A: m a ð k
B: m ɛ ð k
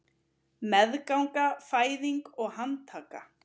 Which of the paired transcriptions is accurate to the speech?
B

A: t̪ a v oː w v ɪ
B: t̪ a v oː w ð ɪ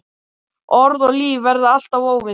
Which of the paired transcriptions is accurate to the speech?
A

